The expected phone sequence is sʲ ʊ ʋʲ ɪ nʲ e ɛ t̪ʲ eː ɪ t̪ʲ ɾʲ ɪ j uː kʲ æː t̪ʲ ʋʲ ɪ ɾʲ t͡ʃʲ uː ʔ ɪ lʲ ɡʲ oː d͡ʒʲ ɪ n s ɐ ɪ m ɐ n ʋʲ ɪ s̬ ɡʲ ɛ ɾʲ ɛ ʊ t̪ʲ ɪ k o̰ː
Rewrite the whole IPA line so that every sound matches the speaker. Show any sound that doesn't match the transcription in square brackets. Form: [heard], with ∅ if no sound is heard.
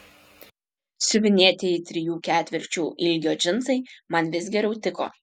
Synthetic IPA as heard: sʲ ʊ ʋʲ ɪ nʲ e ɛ t̪ʲ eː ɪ t̪ʲ ɾʲ ɪ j uː kʲ æː t̪ʲ ʋʲ ɪ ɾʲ t͡ʃʲ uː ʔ ɪ lʲ ɡʲ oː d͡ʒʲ ɪ n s ɐ ɪ m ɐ n ʋʲ ɪ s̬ ɡʲ ɛ ɾʲ ɛ ʊ t̪ʲ ɪ k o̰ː